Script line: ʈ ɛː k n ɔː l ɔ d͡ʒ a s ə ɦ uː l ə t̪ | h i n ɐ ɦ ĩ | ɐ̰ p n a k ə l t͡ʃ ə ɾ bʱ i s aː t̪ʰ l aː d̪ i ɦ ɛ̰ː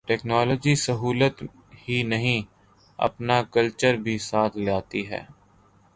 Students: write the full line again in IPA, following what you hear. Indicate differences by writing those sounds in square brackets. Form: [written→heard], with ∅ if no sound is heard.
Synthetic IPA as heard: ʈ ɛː k n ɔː l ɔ d͡ʒ [a→i] s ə ɦ uː l ə t̪ | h i n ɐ ɦ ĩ | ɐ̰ p n a k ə l t͡ʃ ə ɾ bʱ i s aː t̪ʰ l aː [d̪→t̪] i ɦ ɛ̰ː